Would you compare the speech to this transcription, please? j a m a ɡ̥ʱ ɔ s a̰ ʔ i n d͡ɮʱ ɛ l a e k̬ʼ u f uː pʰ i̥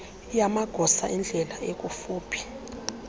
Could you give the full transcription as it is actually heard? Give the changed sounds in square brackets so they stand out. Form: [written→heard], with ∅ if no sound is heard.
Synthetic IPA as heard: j a m a ɡ̥ʱ ɔ s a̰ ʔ i n d͡ɮʱ ɛ l a e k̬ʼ u f uː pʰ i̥